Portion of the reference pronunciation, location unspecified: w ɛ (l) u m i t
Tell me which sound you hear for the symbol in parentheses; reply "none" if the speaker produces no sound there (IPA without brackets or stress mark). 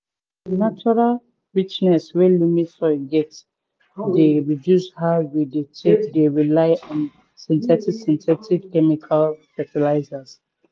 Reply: l